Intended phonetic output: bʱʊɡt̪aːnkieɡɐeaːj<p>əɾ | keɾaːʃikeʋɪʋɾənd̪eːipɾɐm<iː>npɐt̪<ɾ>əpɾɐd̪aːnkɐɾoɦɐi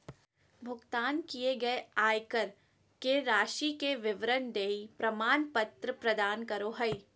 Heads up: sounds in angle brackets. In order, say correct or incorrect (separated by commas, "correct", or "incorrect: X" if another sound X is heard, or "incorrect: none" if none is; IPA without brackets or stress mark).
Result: incorrect: k, incorrect: aː, correct